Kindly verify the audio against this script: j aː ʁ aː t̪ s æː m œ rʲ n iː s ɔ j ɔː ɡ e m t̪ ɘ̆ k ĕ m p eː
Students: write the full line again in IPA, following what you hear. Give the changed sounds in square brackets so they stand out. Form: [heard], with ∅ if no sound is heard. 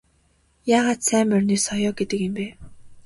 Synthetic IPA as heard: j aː ʁ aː t̪ s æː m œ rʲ n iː s ɔ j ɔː ɡ e [∅] t̪ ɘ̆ k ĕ m p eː